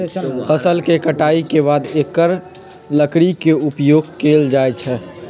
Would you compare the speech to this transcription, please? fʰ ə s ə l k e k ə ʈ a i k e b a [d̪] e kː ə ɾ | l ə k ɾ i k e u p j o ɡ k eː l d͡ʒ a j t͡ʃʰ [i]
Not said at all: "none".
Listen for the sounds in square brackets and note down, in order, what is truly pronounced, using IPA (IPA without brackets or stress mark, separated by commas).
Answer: d̪, ɛ